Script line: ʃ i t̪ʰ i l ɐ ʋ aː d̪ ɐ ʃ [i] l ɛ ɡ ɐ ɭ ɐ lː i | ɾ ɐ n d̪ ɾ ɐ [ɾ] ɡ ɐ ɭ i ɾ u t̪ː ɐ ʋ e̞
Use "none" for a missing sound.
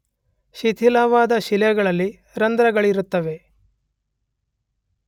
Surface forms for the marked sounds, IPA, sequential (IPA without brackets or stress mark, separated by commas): i, none